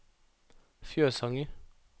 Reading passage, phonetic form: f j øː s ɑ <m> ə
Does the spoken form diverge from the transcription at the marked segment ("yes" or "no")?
yes